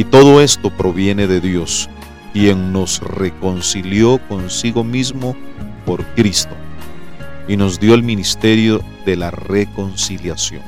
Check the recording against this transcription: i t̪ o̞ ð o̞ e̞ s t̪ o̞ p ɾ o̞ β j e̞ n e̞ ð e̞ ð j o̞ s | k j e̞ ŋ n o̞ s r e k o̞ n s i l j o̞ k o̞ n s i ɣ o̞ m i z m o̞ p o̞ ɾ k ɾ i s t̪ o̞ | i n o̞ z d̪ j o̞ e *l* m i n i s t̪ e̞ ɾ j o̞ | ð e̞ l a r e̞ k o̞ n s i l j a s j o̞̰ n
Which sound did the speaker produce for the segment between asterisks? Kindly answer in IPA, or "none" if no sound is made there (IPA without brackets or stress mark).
l